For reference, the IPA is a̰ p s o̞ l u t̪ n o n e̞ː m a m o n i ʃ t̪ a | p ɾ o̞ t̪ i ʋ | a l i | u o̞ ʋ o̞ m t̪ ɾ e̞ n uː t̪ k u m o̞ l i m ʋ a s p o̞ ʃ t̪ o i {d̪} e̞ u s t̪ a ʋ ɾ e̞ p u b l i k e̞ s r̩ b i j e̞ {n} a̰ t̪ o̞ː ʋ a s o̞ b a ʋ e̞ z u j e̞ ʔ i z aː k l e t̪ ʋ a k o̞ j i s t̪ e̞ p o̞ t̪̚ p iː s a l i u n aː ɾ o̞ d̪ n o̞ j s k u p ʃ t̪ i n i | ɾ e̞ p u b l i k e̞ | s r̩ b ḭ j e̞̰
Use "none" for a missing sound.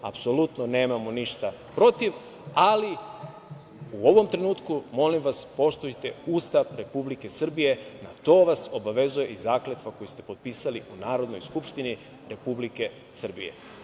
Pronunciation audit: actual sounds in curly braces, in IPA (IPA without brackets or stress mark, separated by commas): t̪, n